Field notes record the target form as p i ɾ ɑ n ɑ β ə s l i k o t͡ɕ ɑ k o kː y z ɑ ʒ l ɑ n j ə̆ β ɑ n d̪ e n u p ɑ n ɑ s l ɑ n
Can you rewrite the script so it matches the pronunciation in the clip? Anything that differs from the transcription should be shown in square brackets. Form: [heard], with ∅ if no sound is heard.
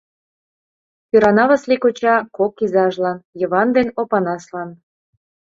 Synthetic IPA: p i ɾ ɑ n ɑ β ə s l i k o t͡ɕ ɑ k o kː [i] z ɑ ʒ l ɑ n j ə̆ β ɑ n d̪ e n [o] p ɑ n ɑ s l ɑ n